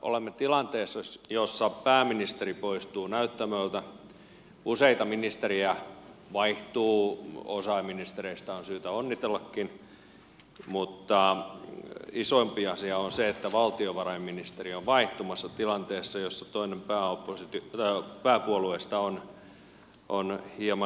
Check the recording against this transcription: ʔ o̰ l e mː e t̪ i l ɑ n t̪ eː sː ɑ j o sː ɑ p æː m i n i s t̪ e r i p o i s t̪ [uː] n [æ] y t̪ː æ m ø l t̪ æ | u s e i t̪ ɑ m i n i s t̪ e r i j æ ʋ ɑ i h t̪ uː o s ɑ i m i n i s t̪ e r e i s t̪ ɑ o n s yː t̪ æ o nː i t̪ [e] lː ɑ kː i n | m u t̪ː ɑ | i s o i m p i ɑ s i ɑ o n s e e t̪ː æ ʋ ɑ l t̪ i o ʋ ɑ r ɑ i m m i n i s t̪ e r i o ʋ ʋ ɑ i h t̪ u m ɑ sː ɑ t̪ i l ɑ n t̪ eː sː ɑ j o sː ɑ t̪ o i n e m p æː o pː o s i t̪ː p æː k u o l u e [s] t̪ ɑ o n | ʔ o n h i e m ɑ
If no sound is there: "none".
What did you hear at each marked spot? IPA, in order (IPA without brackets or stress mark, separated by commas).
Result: uː, æ, e, s